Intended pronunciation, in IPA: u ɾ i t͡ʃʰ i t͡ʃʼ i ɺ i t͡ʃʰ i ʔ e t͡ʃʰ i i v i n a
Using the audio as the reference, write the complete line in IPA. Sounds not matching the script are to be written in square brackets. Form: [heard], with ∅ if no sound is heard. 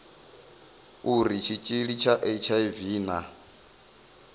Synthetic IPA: u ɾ i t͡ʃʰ i t͡ʃʼ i ɺ i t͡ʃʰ [a] ʔ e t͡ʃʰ [a] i v [iː] n a